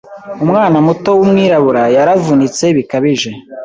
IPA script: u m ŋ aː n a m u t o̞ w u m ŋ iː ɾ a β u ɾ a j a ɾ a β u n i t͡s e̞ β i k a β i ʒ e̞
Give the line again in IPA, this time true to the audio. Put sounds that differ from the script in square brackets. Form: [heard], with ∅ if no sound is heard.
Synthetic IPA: u m ŋ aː n a m u t o̞ w u m ŋ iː ɾ a β u ɾ a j a ɾ a [v] u n i t͡s e̞ β i k a β i ʒ e̞